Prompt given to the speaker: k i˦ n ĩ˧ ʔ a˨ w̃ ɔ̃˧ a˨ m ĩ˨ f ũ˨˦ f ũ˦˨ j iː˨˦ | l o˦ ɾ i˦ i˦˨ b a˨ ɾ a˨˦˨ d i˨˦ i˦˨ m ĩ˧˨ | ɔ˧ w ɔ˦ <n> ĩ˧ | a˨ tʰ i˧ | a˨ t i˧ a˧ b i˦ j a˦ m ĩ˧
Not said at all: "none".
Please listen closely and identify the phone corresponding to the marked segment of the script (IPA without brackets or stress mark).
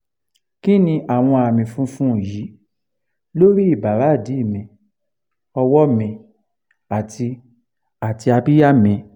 m